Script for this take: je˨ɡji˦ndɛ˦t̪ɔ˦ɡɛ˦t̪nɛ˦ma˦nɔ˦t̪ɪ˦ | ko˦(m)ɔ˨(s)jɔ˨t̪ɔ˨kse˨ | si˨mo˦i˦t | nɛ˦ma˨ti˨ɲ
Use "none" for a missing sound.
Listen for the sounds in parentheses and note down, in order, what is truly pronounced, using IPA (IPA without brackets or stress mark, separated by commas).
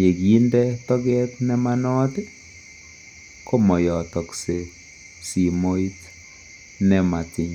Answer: m, none